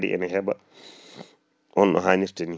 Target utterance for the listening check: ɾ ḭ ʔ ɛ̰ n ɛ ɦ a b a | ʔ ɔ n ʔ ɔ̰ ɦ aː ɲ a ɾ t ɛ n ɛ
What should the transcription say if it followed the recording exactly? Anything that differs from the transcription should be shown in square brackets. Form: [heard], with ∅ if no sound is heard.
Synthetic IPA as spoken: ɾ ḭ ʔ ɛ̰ n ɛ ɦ [ɛ] b a | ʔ ɔ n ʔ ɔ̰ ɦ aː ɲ [i] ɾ t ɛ n [i]